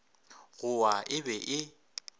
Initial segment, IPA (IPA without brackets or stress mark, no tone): ɣ